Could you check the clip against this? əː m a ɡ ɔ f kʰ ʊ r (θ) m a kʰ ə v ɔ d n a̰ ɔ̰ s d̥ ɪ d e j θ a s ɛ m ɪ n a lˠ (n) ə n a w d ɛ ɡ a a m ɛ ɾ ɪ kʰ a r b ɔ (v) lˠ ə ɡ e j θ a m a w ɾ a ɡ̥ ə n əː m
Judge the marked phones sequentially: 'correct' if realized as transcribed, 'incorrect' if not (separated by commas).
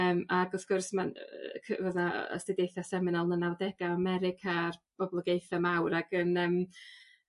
incorrect, correct, incorrect